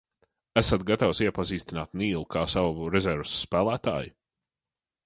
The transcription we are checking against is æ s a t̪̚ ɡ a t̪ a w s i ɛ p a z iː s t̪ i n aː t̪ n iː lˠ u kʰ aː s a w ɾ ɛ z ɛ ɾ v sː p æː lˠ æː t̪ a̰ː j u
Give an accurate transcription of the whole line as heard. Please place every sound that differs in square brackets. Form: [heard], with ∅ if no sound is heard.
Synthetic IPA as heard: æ s a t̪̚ ɡ a t̪ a w s i ɛ p a z iː s t̪ i n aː t̪ n iː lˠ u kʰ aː s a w ɾ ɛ z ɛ ɾ v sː p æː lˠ æː t̪ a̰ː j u